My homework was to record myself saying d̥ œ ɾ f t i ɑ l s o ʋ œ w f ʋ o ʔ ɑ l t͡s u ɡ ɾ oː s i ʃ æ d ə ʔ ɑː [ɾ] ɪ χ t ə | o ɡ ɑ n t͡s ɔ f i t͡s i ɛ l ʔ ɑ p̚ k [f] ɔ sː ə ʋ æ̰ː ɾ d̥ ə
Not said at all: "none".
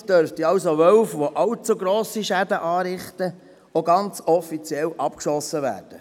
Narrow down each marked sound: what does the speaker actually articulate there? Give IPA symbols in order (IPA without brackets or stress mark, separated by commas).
ɾ, ʃ